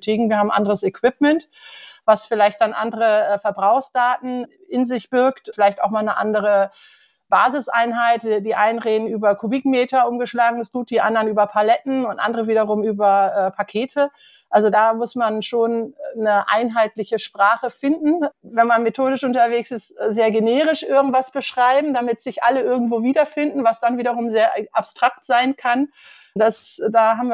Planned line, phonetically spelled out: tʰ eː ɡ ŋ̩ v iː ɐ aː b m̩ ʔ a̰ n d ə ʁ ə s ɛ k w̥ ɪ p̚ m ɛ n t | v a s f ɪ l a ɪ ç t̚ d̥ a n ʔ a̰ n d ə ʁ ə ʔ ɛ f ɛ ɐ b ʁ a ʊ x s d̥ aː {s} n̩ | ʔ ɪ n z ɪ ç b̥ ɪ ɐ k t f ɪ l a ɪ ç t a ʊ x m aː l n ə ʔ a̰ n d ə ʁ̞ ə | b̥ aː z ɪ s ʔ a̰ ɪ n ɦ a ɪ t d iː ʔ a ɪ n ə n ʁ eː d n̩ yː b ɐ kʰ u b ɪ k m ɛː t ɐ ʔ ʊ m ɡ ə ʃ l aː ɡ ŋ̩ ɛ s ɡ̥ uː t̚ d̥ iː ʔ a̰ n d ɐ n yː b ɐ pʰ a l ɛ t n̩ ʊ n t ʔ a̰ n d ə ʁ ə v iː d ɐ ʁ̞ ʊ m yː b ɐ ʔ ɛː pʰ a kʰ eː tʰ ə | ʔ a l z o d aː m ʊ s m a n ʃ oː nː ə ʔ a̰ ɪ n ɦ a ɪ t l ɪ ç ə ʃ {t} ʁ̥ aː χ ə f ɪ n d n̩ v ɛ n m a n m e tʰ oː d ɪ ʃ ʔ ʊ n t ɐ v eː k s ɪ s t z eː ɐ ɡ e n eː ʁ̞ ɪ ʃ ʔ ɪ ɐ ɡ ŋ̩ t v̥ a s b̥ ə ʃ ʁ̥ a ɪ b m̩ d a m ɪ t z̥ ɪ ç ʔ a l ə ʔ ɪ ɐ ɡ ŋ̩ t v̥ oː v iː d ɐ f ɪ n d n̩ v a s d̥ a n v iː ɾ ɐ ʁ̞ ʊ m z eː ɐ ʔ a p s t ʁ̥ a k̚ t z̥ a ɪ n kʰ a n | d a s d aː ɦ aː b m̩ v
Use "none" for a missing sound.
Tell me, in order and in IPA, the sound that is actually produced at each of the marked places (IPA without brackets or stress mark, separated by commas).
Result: t, p